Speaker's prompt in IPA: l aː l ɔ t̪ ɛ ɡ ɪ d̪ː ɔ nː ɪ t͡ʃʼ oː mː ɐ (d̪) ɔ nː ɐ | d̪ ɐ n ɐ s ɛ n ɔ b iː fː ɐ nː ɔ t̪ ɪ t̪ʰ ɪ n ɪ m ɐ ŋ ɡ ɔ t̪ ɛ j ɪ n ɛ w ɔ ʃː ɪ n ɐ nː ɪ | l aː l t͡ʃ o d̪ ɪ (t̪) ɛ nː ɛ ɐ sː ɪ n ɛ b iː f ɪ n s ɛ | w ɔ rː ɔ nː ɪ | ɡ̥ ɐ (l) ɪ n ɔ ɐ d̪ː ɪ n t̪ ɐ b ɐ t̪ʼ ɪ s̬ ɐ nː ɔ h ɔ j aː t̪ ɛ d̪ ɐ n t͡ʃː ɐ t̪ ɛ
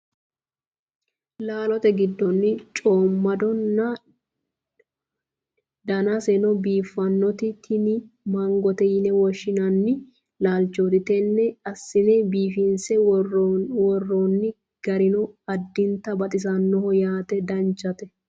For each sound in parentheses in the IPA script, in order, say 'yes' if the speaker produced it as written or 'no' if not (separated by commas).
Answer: yes, yes, no